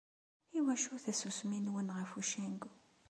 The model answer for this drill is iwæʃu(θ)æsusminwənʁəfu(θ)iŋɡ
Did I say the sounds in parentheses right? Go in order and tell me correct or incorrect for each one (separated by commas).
correct, incorrect